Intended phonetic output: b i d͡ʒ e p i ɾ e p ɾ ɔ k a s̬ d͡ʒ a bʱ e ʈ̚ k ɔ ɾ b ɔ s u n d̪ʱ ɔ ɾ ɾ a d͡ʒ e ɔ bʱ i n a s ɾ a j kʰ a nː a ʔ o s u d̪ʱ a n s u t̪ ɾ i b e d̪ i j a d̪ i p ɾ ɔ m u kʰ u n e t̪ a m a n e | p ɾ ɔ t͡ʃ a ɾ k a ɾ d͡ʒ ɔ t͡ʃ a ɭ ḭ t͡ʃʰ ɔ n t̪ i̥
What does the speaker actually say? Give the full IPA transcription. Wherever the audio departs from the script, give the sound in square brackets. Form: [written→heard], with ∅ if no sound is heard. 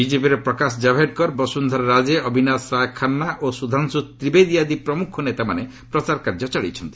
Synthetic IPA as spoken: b i d͡ʒ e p i ɾ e p ɾ ɔ k a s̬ d͡ʒ a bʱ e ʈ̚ k ɔ ɾ b ɔ s u n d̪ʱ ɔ ɾ ɾ a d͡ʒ e ɔ bʱ i n a s ɾ a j kʰ a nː a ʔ o s u d̪ʱ a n s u t̪ ɾ i b e d̪ i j a d̪ i p ɾ ɔ m u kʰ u n e t̪ a m a n e | p ɾ ɔ t͡ʃ a ɾ k a ɾ d͡ʒ ɔ t͡ʃ a ɭ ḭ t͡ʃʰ ɔ n t̪ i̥

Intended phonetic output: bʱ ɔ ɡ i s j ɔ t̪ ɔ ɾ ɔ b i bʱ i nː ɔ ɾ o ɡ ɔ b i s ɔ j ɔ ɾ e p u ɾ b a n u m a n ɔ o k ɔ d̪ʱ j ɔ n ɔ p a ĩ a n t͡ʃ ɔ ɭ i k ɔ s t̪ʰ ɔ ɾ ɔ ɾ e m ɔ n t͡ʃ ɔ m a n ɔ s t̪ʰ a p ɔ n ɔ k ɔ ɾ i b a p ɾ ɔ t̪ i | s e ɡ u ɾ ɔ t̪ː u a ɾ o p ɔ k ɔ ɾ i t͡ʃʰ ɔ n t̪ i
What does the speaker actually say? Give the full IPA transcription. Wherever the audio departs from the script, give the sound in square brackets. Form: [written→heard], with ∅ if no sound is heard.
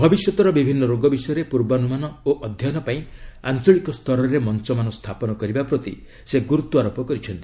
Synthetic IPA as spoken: bʱ ɔ [ɡ→b] i s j ɔ t̪ ɔ ɾ ɔ b i bʱ i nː ɔ ɾ o ɡ ɔ b i s ɔ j ɔ ɾ e p u ɾ b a n u m a n ɔ o [k→ʔ] ɔ d̪ʱ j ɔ n ɔ p a ĩ a n t͡ʃ ɔ ɭ i k ɔ s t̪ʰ ɔ ɾ ɔ ɾ e m ɔ n t͡ʃ ɔ m a n ɔ s t̪ʰ a p ɔ n ɔ k ɔ ɾ i b a p ɾ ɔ t̪ i | s e ɡ u ɾ [ɔ→u] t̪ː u a ɾ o p ɔ k ɔ ɾ i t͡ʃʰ ɔ n t̪ i

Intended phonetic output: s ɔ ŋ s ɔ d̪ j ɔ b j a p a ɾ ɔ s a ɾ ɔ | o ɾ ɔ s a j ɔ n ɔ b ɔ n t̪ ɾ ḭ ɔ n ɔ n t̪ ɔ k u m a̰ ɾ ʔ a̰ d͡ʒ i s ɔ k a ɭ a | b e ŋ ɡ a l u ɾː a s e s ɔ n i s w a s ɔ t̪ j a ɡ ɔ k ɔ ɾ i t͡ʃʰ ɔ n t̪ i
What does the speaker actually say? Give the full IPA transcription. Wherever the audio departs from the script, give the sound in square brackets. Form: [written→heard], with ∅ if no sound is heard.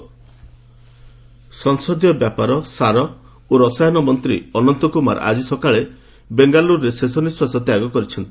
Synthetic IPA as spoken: s ɔ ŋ s ɔ d̪ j ɔ b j a p a ɾ ɔ s a ɾ ɔ | o ɾ ɔ s a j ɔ n ɔ [b→m] ɔ n t̪ ɾ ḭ ɔ n ɔ n t̪ ɔ k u m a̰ ɾ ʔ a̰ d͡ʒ i s ɔ k a ɭ [a→e] | b e ŋ ɡ a l u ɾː [a→e] s e s ɔ n i s w a s ɔ t̪ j a ɡ ɔ k ɔ ɾ i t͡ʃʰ ɔ n t̪ i

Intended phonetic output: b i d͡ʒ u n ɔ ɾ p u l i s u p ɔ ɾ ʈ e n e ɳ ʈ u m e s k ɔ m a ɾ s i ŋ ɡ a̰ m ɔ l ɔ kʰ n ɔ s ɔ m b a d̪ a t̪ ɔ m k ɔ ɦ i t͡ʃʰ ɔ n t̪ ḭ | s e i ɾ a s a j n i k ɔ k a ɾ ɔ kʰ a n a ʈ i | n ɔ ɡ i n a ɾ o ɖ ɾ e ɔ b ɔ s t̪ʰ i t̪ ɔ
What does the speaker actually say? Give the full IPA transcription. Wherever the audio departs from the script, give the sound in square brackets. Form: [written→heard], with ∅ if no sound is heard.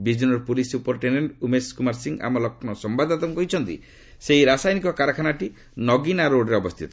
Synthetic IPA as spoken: b i d͡ʒ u n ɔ ɾ p u l i s u p ɔ ɾ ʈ e n e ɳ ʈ u m e s k [ɔ→u] m a ɾ s i ŋ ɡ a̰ m ɔ l ɔ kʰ n ɔ s ɔ m b a d̪ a t̪ ɔ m k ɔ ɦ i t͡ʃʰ ɔ n t̪ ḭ | s e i ɾ a s a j n i k ɔ k a ɾ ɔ kʰ a n a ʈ i | n ɔ ɡ i n a ɾ o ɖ ɾ e ɔ b ɔ s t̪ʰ i t̪ ɔ

